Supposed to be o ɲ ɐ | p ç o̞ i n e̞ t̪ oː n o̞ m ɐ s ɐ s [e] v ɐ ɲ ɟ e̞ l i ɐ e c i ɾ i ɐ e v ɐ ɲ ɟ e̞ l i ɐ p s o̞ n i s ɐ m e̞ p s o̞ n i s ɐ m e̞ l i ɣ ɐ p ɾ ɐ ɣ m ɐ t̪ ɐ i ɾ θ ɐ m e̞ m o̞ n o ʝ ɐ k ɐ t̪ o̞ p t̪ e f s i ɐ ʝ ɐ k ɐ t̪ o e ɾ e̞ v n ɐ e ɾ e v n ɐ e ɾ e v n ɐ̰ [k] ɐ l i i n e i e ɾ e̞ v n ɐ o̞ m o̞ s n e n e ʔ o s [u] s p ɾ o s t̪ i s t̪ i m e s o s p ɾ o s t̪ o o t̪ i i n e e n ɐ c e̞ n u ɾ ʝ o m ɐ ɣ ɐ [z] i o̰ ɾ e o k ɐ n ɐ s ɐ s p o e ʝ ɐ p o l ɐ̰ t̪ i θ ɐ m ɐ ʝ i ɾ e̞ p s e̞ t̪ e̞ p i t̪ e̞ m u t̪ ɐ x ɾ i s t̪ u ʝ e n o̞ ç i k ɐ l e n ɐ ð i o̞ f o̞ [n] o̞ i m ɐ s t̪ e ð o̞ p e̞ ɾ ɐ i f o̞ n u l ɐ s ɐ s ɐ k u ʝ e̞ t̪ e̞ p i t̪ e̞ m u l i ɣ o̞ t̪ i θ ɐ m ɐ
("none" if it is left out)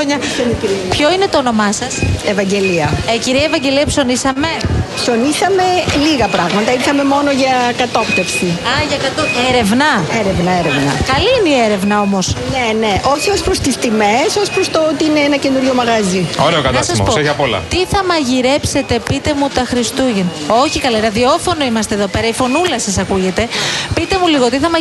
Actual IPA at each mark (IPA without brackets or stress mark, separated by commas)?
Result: e, k, o, z, n